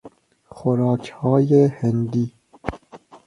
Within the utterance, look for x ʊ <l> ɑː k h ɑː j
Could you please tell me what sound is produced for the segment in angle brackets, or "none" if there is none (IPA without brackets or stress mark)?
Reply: ɾ